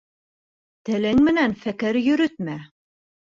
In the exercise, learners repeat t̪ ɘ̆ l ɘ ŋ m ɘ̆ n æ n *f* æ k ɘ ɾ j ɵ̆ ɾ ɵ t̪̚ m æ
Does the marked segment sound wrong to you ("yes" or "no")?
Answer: no